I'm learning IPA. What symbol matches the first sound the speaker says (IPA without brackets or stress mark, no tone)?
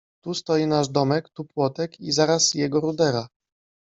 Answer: t̪